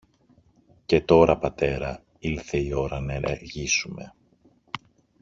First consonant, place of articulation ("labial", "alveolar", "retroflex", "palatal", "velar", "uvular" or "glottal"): palatal